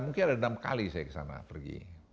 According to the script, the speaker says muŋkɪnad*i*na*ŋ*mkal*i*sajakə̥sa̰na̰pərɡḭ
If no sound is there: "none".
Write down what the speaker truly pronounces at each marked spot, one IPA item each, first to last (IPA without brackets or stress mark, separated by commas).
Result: a, none, i